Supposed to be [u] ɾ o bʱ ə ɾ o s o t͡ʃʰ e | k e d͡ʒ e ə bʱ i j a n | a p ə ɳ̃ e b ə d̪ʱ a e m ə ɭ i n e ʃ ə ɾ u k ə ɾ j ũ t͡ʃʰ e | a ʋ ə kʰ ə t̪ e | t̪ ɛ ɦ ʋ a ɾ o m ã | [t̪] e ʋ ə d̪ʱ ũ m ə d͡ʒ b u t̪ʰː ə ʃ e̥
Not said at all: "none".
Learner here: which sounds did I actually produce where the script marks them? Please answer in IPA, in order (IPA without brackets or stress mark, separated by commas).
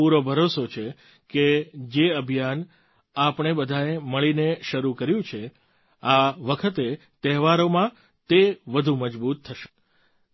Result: u, t̪